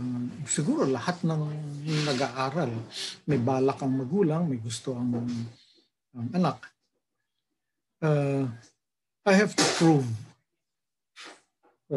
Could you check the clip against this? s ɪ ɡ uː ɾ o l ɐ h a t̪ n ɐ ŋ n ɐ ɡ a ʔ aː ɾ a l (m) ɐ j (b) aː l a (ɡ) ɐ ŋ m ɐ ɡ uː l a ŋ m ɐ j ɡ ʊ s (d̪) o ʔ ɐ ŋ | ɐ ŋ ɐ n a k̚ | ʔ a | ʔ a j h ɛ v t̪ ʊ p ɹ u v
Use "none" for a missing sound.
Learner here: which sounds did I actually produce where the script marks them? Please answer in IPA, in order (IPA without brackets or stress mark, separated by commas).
m, b, k, t̪